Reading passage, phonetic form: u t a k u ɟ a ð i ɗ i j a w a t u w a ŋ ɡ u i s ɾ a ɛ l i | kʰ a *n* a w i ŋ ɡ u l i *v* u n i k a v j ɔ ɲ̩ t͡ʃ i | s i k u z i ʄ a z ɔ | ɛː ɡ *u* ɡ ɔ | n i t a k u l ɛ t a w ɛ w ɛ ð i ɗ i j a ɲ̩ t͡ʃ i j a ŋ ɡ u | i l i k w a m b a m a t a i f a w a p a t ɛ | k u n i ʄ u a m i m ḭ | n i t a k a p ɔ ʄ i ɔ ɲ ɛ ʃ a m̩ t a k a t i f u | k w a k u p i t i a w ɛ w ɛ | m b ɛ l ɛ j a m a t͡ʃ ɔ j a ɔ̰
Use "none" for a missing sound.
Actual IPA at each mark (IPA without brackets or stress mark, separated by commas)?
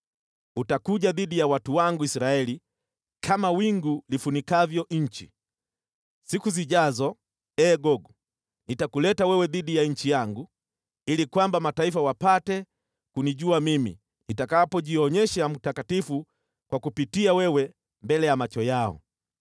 m, f, ɔ